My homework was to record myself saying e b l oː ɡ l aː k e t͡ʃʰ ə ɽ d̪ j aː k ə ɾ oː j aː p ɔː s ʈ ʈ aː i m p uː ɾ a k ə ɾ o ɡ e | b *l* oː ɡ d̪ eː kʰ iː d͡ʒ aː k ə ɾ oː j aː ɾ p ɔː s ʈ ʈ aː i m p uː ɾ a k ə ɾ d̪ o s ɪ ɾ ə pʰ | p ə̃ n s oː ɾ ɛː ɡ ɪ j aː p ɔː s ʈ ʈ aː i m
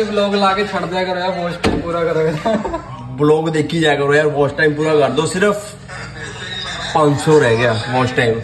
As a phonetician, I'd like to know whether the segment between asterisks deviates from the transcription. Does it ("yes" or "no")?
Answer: no